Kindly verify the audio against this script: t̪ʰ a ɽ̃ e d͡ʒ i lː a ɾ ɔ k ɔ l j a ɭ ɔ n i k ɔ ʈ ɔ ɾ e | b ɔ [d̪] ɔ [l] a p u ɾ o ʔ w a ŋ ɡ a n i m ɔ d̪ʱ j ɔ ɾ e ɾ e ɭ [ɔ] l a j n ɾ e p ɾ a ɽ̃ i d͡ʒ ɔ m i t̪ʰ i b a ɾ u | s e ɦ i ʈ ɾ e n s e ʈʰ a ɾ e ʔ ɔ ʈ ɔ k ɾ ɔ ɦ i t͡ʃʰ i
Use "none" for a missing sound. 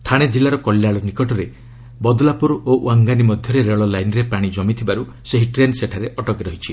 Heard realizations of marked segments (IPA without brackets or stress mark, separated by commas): d̪, l, ɔ